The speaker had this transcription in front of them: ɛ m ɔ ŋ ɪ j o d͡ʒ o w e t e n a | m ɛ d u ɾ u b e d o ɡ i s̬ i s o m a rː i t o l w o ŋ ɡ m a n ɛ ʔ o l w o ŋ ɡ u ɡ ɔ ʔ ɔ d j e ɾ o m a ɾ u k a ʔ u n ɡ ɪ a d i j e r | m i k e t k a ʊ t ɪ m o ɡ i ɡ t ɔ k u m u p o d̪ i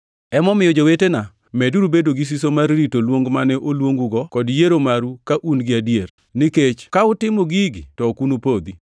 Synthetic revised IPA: ɛ m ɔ m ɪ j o d͡ʒ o w e t e n a | m ɛ d u ɾ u b e d o ɡ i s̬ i s o m a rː i t o l w o ŋ ɡ m a n ɛ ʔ o l w o ŋ ɡ u ɡ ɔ k ɔ d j e ɾ o m a ɾ u k a ʔ u n ɡ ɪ a d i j e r | n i k e t͡ʃ k a ʊ t ɪ m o ɡ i ɡ t ɔ k u n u p o d̪ i